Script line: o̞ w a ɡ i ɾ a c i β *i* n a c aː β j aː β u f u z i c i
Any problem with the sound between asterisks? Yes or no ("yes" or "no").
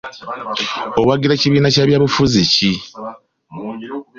yes